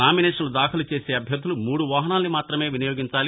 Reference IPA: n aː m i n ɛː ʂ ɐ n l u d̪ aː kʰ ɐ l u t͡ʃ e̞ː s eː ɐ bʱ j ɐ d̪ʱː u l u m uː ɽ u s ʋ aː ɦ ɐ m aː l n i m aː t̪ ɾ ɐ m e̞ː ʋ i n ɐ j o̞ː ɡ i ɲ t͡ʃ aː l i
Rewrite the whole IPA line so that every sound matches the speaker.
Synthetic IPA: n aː m i n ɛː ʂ ɐ n l u d̪ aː kʰ ɐ l u t͡ʃ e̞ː s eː ɐ bʱ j ɐ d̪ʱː u l u m uː ɽ u ʋ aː ɦ ɐ n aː l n i m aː t̪ ɾ ɐ m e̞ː ʋ i n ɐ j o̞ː ɡ i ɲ t͡ʃ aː l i